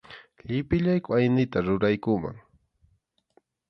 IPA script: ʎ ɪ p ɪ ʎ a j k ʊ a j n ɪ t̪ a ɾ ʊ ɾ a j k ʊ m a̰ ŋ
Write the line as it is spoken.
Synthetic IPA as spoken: ʎ ɪ p ɪ ʎ a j k ʊ a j n ɪ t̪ a ɾ ʊ ɾ a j k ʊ m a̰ ŋ